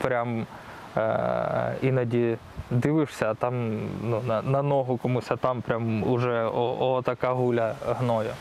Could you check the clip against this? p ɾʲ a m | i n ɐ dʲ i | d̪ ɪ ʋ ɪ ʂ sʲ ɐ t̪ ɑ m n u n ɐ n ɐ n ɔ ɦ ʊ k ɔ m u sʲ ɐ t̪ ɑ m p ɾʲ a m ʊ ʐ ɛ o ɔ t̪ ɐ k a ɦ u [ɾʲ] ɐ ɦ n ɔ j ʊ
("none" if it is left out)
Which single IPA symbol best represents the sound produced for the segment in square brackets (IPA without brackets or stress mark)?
lʲ